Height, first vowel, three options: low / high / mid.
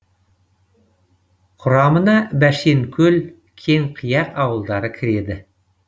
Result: high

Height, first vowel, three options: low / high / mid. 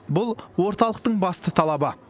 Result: high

